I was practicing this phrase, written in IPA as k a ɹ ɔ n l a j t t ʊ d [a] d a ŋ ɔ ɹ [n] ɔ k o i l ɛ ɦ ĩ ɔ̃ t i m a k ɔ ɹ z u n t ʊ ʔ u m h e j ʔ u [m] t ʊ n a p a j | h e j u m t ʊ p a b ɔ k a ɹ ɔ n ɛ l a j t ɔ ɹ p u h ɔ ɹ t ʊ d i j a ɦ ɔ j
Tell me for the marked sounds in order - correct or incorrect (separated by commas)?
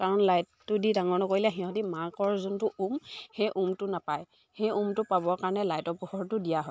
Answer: incorrect, correct, correct